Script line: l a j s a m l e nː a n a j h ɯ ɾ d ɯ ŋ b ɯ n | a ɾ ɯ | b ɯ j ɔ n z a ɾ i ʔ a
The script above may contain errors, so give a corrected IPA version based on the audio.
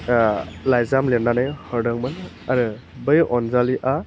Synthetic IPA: l a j z a m l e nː a n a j h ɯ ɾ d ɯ ŋ m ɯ n | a ɾ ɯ | b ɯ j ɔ n z a l i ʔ a